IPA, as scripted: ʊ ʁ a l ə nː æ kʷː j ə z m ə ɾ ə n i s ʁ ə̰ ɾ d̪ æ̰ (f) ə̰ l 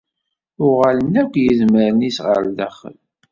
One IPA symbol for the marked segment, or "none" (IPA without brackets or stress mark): χ